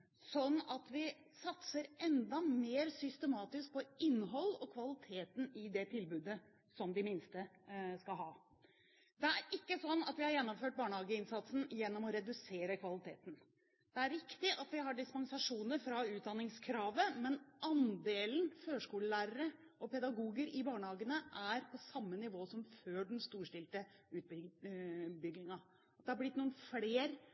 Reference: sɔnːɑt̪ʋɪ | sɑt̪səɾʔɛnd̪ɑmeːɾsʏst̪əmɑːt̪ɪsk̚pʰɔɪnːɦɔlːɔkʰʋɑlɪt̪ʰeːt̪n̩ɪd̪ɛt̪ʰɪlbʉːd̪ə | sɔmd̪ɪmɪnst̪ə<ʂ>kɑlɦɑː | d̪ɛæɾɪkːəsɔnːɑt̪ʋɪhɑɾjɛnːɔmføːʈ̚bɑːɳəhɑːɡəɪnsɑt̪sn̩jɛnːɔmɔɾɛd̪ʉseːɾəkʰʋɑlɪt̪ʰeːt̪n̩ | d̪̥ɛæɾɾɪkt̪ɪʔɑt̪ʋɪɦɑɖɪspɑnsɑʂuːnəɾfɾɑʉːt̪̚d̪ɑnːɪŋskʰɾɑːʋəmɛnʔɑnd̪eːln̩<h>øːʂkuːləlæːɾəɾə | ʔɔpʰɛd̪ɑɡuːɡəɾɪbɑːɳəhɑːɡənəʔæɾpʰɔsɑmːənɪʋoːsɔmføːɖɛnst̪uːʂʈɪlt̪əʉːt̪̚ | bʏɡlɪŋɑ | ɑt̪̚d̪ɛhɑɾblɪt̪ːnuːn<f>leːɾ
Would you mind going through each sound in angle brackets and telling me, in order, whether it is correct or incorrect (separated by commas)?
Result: incorrect, incorrect, correct